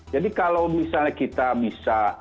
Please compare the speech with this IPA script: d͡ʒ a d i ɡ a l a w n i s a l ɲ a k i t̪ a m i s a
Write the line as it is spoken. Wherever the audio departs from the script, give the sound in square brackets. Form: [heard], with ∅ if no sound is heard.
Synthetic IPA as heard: d͡ʒ a d i [k] a l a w [m] i s a l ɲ a k i t̪ a [b] i s a